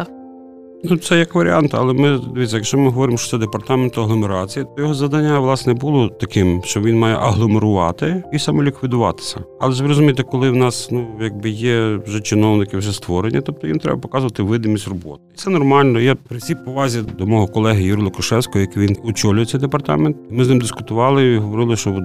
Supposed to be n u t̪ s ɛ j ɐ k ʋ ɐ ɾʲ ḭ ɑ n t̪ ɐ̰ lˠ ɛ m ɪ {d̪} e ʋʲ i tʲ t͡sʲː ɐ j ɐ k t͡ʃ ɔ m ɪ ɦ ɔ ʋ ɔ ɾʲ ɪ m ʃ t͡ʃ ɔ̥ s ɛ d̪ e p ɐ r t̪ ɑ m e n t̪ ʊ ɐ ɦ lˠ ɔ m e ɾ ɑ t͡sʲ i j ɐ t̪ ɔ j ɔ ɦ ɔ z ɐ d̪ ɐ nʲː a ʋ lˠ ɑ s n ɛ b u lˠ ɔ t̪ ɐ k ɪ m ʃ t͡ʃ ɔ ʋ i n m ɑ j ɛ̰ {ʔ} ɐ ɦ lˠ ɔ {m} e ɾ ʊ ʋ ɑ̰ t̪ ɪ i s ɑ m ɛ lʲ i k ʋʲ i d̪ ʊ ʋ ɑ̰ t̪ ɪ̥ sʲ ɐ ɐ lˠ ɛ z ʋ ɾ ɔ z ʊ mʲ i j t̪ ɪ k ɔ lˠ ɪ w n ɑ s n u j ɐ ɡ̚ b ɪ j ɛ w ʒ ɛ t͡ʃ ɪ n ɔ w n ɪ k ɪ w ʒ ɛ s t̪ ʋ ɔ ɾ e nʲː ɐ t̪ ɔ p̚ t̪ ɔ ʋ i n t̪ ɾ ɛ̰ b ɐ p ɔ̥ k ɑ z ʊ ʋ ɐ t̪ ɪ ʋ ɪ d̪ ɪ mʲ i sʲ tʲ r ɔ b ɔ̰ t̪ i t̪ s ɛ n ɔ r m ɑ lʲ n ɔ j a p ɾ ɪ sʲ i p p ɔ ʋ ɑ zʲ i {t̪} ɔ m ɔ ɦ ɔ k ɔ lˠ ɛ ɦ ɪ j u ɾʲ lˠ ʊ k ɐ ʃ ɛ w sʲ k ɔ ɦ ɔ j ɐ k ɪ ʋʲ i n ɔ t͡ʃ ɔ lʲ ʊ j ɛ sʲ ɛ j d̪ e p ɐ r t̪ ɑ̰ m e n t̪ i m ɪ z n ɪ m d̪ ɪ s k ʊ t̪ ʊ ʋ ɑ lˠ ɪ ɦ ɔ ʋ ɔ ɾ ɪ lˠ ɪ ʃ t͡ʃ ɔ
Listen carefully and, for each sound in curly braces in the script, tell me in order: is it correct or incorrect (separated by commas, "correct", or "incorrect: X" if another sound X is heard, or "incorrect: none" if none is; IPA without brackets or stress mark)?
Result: correct, correct, correct, incorrect: d̪